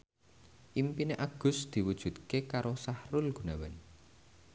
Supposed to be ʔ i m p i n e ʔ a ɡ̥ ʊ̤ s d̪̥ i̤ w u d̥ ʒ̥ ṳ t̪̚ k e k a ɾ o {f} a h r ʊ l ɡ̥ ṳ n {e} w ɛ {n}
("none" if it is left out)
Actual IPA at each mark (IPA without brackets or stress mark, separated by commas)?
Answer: s, a, n